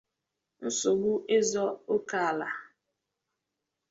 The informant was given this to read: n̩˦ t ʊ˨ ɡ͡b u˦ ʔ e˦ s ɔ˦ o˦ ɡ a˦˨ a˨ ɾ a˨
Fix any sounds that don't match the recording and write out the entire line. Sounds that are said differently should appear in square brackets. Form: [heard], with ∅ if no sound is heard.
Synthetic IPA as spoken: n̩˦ [s] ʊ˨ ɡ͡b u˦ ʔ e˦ [z] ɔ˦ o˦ [k] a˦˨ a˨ [l] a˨